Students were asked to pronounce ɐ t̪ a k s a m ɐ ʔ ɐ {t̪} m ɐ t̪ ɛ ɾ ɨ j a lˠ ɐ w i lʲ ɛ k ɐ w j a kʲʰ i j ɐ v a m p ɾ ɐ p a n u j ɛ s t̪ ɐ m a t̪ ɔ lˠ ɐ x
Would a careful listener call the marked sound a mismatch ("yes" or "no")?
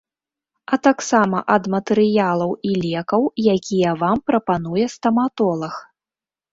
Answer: yes